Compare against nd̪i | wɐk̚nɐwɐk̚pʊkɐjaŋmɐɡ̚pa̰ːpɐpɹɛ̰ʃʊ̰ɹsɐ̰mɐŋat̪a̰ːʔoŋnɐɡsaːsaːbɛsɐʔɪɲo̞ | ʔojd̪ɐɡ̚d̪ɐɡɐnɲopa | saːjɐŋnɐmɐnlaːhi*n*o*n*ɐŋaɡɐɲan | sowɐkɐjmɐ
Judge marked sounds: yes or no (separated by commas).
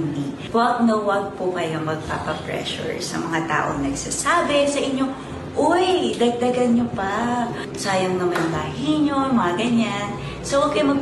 no, no